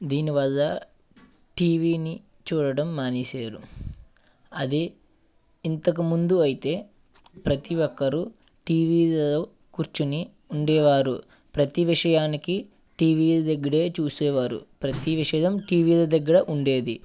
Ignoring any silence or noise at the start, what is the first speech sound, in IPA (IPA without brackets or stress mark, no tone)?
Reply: d̪